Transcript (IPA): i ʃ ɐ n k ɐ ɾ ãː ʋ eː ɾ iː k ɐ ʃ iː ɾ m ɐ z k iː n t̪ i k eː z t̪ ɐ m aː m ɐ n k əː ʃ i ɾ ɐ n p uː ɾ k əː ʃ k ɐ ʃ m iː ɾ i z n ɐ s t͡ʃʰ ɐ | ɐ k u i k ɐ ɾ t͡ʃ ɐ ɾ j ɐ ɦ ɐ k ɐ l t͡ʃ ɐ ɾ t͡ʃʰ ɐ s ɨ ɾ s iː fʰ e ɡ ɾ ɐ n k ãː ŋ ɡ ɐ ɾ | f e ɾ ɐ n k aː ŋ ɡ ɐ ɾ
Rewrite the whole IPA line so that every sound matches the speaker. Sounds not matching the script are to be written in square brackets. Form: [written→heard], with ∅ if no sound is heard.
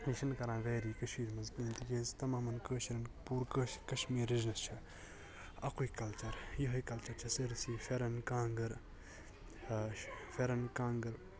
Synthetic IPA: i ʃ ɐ n k ɐ ɾ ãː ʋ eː ɾ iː k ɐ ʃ iː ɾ m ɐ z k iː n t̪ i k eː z t̪ ɐ m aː m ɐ n k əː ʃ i ɾ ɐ n p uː ɾ k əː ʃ k ɐ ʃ m iː ɾ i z n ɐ s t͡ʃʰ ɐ | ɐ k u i k ɐ [ɾ→l] t͡ʃ ɐ ɾ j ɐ ɦ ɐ k ɐ l t͡ʃ ɐ ɾ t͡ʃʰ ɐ s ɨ ɾ s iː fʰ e [ɡ→∅] ɾ ɐ n k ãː ŋ ɡ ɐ ɾ | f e ɾ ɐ n k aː ŋ ɡ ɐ ɾ

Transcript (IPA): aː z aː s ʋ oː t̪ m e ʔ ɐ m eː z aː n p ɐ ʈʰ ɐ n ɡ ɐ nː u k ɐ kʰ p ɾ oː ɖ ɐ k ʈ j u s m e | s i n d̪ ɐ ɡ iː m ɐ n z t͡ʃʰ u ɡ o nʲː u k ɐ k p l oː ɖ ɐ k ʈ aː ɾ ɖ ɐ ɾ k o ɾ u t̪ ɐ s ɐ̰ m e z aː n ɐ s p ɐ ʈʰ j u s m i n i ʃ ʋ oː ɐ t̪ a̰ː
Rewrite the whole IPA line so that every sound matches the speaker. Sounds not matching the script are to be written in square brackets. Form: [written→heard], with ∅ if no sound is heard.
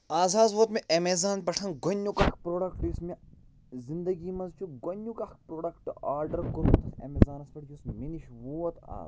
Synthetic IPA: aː z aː [s→z] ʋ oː t̪ m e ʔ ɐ m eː z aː n p ɐ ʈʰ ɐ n ɡ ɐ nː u k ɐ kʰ p ɾ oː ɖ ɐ k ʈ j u s m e | [s→z] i n d̪ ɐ ɡ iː m ɐ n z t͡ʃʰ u ɡ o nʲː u k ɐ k p [l→ɾ] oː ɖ ɐ k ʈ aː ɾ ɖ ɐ ɾ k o ɾ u t̪ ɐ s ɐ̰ m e z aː n ɐ s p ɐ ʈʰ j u s m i n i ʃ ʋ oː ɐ t̪ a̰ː

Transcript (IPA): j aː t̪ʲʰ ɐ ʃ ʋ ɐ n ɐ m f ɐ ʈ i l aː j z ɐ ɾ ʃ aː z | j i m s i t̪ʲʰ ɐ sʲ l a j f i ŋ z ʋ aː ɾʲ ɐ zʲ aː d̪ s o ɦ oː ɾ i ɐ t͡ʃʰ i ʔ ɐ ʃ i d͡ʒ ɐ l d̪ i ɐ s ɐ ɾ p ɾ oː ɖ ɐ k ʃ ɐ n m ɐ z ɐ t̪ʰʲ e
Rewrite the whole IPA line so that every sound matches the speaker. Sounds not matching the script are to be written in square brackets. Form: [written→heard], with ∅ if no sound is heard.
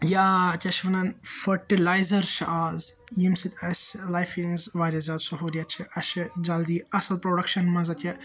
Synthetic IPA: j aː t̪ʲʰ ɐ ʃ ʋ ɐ n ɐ [m→n] f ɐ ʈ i l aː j z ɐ ɾ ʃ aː z | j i m s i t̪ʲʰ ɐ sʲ l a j f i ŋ z ʋ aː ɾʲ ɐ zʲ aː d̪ s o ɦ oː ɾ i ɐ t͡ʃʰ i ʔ ɐ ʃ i d͡ʒ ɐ l d̪ i ɐ s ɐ [ɾ→l] p ɾ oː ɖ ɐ k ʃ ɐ n m ɐ z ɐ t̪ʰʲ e

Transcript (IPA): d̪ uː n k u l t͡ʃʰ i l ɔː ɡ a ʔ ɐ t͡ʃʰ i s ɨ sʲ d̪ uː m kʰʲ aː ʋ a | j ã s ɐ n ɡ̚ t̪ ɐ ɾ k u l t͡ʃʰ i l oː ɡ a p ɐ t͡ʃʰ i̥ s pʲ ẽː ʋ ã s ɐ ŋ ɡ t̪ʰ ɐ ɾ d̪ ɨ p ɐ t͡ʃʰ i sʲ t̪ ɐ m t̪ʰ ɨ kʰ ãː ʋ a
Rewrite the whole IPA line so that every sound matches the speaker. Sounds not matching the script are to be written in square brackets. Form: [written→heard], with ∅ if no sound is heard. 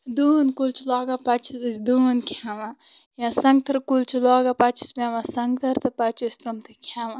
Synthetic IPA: d̪ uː n k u l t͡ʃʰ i l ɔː ɡ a [ʔ→p] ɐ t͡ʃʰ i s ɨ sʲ d̪ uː [m→n] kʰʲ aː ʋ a | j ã s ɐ [n→ŋ] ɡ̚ t̪ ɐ ɾ k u l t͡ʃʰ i l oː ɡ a p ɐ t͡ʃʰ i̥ s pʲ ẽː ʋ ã s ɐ ŋ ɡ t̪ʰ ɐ ɾ [d̪→t̪] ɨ p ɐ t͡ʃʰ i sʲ t̪ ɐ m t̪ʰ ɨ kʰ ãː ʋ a

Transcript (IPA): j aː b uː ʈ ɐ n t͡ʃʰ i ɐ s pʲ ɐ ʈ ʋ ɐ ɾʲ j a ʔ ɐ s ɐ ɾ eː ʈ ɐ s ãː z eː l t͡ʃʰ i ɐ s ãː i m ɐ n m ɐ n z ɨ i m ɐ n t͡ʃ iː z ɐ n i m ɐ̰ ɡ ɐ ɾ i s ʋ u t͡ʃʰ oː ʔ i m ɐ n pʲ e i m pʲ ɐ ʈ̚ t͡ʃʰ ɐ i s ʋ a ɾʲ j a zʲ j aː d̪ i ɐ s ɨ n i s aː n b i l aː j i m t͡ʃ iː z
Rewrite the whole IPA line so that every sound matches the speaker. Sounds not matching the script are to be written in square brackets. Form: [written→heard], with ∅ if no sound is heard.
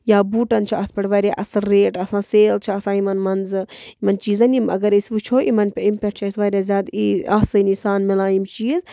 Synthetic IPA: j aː b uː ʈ ɐ n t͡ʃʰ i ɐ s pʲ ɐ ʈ ʋ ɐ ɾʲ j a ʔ ɐ s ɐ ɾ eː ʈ ɐ s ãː [z→s] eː l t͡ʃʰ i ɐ s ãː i m ɐ n m ɐ n z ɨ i m ɐ n t͡ʃ iː z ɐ n i m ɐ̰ ɡ ɐ ɾ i s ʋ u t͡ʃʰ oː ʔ i m ɐ n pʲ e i m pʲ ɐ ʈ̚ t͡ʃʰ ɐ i s ʋ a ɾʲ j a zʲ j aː d̪ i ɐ s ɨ n i s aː n [b→m] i l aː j i m t͡ʃ iː z

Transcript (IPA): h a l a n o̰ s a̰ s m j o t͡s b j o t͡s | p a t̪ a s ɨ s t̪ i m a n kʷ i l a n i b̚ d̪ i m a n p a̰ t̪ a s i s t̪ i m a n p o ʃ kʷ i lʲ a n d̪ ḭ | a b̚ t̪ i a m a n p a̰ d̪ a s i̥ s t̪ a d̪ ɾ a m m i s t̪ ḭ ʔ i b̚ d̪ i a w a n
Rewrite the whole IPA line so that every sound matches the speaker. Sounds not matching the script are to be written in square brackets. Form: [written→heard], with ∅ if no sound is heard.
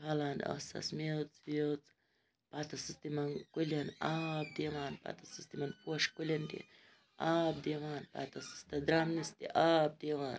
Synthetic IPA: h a l a n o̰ s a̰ s m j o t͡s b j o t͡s | p a t̪ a s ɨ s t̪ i m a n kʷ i l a n [i→a] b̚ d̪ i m a n p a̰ t̪ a s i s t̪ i m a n p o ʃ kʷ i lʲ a n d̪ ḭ | a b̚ [t̪→d̪] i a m a n p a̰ [d̪→t̪] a s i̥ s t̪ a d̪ ɾ a m [m→n] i s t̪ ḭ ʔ [i→a] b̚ d̪ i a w a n

